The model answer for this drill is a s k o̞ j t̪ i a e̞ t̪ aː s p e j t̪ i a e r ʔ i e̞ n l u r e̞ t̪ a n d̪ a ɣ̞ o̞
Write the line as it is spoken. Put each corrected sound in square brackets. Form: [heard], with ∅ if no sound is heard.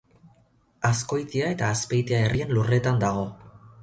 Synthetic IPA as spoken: a s k o̞ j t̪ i a e̞ t̪ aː s p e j t̪ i a e r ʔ i e̞ n l u r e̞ t̪ a n d̪ a ɣ̞ o̞